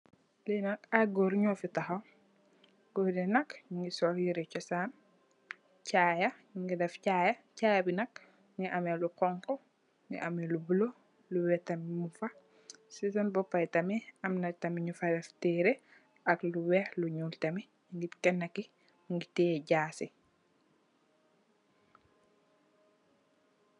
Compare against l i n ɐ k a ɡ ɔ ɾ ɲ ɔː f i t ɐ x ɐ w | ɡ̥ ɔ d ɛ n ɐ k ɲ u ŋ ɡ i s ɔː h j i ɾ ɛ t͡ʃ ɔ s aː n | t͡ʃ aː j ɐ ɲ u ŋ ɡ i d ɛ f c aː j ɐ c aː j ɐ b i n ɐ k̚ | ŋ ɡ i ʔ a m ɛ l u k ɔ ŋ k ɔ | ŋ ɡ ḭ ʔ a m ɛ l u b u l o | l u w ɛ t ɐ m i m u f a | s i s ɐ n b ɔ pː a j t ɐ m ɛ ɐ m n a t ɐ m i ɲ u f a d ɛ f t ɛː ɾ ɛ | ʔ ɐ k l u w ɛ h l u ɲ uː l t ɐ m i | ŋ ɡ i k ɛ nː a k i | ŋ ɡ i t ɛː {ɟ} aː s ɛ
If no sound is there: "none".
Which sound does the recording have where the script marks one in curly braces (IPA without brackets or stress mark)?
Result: ɟ